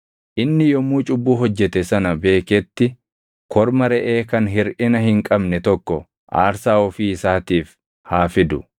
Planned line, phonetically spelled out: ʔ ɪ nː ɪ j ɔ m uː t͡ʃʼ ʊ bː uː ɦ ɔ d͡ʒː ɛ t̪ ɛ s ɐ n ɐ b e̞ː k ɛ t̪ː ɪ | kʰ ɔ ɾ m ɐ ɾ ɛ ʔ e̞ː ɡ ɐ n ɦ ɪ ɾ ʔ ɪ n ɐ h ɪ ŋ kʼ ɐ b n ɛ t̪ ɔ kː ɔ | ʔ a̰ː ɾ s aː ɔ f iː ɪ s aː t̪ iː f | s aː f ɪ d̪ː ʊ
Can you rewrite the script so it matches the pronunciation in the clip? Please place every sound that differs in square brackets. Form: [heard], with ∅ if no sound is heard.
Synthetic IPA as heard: ʔ ɪ nː ɪ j ɔ m uː t͡ʃʼ ʊ bː uː ɦ ɔ d͡ʒː ɛ t̪ ɛ s ɐ n ɐ b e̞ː k ɛ t̪ː ɪ | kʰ ɔ ɾ m ɐ ɾ ɛ ʔ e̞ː [k] ɐ n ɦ ɪ ɾ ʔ ɪ n ɐ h ɪ ŋ kʼ ɐ b n ɛ t̪ ɔ kː ɔ | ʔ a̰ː ɾ s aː ɔ f iː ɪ s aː t̪ iː f | [h] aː f ɪ [d̪] ʊ